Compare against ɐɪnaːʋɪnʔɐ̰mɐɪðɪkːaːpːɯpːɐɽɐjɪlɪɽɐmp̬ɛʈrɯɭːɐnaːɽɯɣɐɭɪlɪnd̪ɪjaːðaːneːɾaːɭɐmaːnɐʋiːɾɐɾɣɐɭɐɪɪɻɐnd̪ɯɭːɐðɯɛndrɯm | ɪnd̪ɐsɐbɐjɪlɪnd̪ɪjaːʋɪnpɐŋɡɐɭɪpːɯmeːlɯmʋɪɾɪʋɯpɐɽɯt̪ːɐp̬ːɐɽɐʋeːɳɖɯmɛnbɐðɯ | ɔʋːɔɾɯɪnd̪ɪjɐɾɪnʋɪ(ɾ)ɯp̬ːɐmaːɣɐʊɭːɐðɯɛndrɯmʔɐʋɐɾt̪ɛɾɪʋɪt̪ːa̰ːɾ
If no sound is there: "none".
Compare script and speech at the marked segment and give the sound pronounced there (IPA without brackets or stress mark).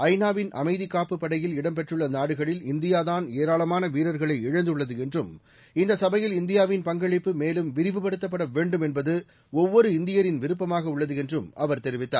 ɾ